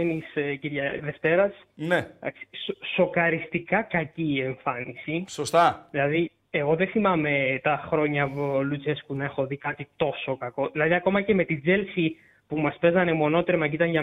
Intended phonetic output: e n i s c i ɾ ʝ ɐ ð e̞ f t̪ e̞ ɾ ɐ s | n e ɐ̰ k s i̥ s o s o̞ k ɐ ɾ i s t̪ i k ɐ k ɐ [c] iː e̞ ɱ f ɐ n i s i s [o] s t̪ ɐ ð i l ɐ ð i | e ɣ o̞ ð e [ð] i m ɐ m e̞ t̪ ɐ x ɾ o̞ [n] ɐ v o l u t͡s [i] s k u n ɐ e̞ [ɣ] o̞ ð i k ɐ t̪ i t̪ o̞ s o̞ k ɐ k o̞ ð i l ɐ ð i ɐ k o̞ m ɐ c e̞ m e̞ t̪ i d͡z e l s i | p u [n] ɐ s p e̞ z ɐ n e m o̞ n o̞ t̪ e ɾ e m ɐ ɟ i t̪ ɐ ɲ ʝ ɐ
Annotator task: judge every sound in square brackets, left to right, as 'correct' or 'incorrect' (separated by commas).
correct, correct, incorrect, incorrect, incorrect, incorrect, incorrect